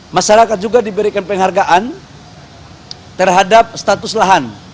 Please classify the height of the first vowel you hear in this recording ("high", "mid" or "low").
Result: low